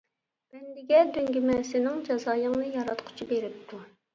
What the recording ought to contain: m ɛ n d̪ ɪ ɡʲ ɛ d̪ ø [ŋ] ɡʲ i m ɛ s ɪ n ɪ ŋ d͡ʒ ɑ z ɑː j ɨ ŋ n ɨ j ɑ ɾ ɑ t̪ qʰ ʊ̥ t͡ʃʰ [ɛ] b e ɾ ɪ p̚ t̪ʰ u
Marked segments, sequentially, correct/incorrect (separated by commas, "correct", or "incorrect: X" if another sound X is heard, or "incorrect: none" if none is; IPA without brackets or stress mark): correct, incorrect: i